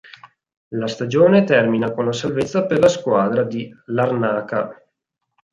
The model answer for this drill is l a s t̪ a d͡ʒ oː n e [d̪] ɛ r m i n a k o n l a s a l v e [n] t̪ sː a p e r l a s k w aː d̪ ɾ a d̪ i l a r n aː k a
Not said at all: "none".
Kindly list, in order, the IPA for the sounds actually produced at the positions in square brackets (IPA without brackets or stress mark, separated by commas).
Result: t̪, none